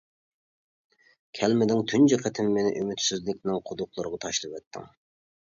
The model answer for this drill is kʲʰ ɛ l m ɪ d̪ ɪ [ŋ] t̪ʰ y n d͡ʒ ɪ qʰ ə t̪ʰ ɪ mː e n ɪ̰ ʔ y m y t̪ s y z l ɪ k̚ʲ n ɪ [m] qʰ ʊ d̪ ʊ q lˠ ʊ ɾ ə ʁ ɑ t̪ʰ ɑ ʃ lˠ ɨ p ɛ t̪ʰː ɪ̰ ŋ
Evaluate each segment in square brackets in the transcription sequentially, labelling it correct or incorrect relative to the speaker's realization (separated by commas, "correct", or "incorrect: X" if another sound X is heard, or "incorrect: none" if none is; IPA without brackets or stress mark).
correct, incorrect: ŋ